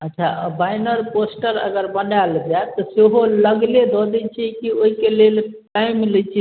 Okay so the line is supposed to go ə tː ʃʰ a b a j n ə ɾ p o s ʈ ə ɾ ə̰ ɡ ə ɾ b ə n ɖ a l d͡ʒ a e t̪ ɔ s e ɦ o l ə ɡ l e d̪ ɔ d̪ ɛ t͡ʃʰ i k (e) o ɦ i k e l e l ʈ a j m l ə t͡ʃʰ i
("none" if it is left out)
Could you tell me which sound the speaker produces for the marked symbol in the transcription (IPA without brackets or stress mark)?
i